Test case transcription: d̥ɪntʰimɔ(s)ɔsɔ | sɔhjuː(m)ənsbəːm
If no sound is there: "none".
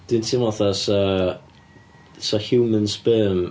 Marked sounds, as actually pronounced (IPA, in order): θ, m

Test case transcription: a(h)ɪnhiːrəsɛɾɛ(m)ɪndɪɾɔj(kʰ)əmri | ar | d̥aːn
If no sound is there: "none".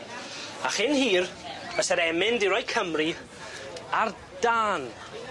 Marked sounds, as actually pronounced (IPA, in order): χ, m, kʰ

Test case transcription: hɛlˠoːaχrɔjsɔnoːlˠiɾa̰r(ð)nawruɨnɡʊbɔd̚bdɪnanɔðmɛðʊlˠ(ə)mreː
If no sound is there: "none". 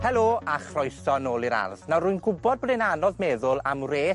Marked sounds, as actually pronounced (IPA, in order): ð, a

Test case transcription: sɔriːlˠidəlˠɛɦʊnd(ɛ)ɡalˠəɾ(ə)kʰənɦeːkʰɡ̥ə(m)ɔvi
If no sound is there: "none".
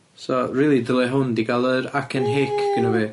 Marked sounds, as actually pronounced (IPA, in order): i, a, n

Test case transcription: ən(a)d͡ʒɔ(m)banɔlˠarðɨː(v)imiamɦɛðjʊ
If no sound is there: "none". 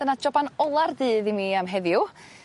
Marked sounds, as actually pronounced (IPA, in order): a, none, ð

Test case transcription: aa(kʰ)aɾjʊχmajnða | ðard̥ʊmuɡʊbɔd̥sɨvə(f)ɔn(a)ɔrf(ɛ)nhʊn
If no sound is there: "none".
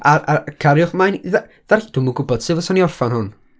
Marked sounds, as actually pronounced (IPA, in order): kʰ, s, i, a

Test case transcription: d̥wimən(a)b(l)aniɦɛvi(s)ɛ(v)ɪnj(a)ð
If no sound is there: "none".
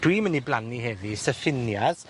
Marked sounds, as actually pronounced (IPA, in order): i, l, s, f, a

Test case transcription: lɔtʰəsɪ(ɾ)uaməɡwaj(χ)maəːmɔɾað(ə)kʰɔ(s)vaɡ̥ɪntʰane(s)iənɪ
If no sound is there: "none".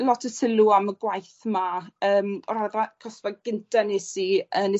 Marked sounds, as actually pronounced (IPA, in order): l, θ, a, s, s

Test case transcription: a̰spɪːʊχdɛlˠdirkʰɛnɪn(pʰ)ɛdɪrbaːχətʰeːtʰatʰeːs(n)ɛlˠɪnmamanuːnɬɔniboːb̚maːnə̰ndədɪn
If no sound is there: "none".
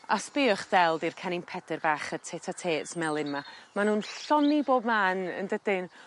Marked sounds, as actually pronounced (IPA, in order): pʰ, m

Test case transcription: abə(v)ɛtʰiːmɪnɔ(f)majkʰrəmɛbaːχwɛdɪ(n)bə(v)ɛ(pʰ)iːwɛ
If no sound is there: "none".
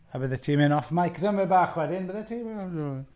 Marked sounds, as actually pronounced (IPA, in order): ð, f, n, ð, tʰ

